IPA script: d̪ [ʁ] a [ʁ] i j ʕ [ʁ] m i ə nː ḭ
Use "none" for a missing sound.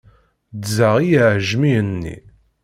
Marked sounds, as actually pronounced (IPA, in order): z, ʁ, ʒ

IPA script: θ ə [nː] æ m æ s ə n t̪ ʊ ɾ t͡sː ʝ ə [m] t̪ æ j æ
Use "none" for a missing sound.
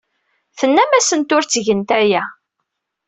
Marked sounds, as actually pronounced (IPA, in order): nː, n

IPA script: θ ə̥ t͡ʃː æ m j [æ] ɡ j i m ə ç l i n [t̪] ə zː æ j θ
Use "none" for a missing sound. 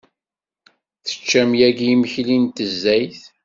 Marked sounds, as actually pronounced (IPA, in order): æ, t̪

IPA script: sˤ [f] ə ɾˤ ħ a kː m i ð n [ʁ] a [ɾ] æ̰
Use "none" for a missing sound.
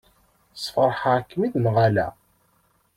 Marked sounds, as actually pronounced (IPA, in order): f, ʁ, l

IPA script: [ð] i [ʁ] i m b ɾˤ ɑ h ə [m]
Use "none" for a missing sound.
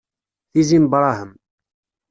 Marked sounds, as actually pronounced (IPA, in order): θ, z, m

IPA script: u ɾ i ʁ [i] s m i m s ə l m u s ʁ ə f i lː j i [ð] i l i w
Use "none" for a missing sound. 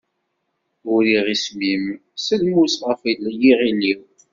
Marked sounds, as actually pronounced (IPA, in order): i, ʁ

